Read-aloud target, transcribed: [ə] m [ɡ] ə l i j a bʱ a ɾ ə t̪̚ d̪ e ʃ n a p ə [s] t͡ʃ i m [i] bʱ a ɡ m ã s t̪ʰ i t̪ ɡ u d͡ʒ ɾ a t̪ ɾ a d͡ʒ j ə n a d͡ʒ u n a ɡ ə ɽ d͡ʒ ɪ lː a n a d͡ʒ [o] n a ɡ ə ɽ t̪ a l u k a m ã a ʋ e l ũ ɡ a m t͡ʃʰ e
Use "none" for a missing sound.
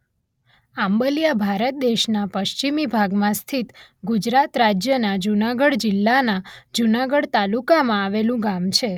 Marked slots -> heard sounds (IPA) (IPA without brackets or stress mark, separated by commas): a, b, ʃ, i, u